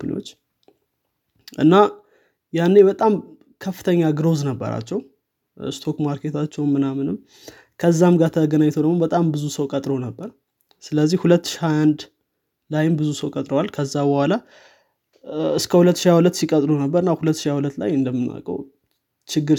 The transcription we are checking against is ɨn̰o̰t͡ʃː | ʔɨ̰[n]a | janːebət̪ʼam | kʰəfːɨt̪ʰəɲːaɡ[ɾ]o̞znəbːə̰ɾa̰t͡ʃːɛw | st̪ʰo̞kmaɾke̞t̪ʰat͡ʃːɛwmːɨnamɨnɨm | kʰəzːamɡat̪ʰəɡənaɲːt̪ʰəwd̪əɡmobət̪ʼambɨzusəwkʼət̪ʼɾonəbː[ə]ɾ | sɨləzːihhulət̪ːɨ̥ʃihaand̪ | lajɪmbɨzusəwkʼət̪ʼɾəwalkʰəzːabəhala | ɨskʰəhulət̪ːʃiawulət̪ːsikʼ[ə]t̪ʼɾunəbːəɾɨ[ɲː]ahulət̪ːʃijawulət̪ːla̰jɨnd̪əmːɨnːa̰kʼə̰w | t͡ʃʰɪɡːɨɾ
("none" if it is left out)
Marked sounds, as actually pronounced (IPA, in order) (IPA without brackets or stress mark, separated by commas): nː, ɾ, ə, ə, nː